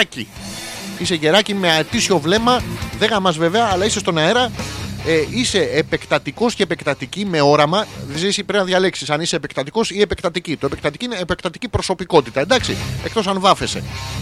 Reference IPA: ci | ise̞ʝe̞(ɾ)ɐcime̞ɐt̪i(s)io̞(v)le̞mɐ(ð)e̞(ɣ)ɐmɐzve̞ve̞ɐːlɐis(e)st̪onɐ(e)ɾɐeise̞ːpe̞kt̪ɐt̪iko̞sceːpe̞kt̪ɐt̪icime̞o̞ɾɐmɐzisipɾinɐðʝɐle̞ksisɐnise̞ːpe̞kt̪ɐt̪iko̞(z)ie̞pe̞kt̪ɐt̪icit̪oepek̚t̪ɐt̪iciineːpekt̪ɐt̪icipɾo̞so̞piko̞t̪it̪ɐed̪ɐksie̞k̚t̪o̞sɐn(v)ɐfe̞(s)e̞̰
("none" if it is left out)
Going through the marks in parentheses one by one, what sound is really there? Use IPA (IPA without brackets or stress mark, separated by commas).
ɾ, s, v, ð, ɣ, e, e, s, v, s